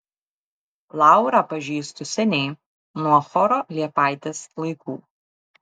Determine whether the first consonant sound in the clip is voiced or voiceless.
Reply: voiced